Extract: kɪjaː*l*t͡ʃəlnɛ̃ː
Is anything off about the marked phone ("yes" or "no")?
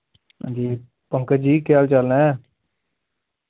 no